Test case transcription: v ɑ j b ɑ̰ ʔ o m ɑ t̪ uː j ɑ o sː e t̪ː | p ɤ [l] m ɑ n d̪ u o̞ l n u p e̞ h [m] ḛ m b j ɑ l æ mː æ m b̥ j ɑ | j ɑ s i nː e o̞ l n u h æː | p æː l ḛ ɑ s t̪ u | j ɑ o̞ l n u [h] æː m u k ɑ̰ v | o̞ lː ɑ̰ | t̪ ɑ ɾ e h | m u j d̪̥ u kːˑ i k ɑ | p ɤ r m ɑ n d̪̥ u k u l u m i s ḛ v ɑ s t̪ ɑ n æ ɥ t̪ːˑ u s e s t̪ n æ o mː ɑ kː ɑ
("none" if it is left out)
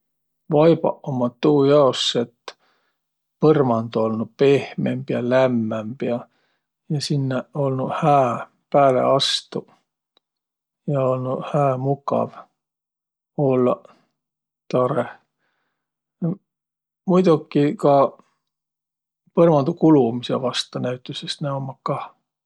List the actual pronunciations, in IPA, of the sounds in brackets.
r, m, h

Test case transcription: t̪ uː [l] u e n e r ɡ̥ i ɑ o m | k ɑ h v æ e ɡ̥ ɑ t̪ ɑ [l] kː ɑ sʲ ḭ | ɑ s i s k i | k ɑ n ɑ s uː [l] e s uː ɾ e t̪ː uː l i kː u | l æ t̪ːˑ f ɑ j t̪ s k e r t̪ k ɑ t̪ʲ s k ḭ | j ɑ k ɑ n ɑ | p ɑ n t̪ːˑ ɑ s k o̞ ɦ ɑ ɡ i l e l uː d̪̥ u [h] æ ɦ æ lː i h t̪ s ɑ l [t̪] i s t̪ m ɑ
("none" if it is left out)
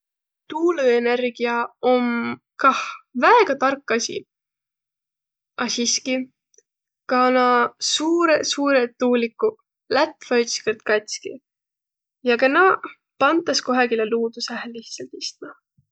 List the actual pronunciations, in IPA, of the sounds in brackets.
l, r, ɾ, s, t̪

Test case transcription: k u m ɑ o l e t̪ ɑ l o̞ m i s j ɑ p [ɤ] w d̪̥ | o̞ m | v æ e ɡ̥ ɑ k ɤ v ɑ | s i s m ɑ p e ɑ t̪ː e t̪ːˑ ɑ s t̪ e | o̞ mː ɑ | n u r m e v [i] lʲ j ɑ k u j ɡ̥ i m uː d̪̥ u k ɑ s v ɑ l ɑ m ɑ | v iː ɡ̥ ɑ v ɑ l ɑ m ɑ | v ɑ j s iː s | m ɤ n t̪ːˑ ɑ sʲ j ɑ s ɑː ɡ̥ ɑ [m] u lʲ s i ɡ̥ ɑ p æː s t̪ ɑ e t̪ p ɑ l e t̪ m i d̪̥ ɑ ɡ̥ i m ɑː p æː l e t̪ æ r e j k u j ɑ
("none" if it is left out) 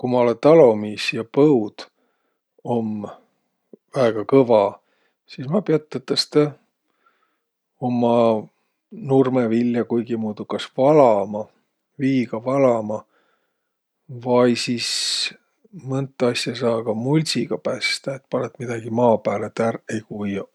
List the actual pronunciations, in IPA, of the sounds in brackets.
ɤ, i, m

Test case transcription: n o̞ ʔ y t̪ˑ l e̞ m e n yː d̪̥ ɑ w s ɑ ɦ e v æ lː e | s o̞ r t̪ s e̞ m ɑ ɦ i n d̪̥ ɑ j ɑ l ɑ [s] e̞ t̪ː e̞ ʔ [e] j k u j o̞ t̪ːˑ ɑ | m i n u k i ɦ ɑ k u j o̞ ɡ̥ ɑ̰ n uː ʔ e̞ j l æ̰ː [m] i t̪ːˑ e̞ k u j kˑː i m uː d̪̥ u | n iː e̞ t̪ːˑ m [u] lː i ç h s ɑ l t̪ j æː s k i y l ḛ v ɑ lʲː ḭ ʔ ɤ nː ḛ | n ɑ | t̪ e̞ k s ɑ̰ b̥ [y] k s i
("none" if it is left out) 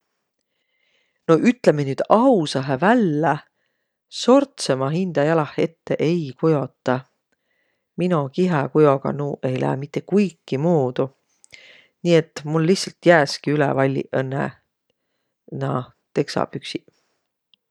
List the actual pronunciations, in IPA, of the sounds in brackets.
h, e, m, u, y

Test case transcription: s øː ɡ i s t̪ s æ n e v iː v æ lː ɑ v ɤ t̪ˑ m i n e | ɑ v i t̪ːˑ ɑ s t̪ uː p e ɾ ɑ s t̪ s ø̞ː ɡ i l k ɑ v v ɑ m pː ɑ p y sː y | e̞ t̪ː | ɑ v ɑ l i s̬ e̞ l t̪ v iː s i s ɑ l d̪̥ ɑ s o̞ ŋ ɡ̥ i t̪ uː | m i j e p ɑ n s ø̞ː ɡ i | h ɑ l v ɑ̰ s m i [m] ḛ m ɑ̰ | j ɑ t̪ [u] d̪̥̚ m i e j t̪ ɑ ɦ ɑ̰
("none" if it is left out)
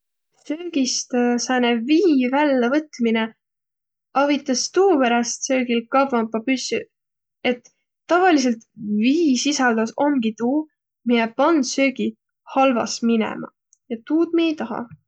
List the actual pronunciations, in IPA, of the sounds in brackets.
n, uː

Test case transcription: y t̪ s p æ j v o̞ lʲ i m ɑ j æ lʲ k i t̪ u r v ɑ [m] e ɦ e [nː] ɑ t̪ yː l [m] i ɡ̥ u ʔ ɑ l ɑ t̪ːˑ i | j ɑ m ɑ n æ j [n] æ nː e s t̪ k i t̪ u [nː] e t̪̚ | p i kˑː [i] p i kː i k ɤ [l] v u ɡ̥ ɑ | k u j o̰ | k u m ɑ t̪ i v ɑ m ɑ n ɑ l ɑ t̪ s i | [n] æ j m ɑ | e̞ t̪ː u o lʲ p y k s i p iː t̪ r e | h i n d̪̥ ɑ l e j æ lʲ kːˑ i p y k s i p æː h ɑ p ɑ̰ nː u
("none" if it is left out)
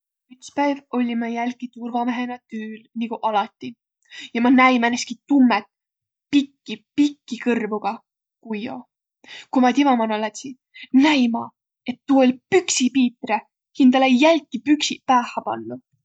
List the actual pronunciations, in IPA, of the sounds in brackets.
m, n, n, m, mː, i, r, n

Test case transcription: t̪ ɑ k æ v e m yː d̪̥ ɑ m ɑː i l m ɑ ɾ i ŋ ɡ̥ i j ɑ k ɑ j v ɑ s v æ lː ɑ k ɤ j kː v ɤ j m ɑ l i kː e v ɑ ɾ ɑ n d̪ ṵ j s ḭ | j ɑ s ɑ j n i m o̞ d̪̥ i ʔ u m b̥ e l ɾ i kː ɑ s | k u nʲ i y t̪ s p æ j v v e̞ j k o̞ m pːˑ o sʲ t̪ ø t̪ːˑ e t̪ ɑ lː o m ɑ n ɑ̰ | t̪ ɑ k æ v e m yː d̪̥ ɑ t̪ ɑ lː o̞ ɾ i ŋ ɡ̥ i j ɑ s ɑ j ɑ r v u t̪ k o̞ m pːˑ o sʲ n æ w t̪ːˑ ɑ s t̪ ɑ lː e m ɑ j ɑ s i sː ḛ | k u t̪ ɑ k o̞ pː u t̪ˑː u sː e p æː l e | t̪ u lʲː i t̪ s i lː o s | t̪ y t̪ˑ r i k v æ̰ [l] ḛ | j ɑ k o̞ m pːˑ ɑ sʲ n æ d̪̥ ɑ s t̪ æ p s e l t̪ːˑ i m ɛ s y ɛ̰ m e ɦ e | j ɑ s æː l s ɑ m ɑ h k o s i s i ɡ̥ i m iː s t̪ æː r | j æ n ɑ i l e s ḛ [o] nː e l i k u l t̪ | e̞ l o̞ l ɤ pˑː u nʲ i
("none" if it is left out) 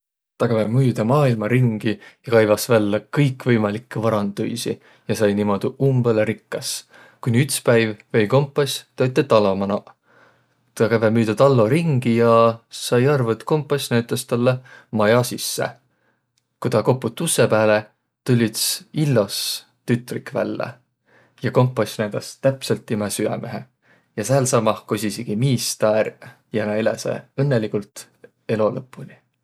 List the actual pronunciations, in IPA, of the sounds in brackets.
lː, ɤ

